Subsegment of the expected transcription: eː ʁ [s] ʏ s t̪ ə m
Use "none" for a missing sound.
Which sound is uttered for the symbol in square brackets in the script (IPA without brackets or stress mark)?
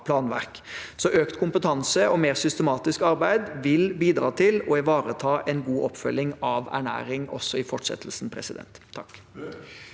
s